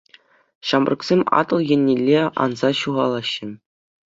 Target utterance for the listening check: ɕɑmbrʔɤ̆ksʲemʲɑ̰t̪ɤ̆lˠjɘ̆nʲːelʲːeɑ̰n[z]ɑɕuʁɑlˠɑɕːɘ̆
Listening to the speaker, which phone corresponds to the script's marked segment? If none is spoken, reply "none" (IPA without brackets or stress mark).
z